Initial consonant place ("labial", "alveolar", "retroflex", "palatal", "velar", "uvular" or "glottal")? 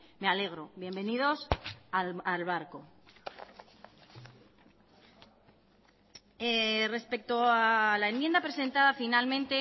labial